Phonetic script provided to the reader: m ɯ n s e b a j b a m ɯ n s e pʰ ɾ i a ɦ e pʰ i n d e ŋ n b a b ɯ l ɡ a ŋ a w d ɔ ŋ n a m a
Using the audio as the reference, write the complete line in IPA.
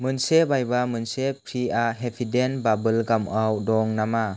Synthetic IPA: m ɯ n s e b a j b a m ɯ n s e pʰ ɾ i a ɦ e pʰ i d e n b a b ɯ l ɡ a m a w d ɔ ŋ n a m a